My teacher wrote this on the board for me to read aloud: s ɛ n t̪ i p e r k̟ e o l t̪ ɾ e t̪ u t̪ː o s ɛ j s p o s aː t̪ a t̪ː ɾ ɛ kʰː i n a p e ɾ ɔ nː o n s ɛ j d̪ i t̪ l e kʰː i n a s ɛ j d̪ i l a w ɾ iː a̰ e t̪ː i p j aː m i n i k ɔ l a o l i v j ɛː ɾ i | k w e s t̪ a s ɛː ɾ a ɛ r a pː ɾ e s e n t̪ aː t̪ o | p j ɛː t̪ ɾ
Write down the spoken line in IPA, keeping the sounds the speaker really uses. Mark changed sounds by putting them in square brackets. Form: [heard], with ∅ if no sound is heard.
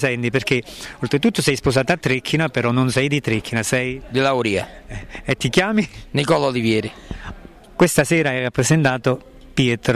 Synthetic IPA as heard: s ɛ n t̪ i p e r k̟ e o l t̪ ɾ e t̪ u t̪ː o s ɛ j s p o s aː t̪ a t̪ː ɾ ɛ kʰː i n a p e ɾ ɔ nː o n s ɛ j d̪ i t̪ [ɾ] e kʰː i n a s ɛ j d̪ i l a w ɾ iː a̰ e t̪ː i [k] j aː m i n i k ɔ l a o l i v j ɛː ɾ i | k w e s t̪ a s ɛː ɾ a ɛ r a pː ɾ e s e n t̪ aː t̪ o | p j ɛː t̪ ɾ